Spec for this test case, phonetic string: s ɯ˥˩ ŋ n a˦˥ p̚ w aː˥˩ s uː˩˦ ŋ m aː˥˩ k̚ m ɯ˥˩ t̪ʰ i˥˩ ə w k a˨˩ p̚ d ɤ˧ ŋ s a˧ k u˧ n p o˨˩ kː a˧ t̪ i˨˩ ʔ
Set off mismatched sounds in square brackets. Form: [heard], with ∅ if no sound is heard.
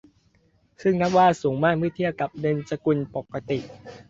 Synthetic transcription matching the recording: s ɯ˥˩ ŋ n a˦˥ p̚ w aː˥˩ s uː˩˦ ŋ m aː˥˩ k̚ m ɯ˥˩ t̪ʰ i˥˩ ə w k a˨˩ p̚ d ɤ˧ [n] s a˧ k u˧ n p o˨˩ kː a˧ t̪ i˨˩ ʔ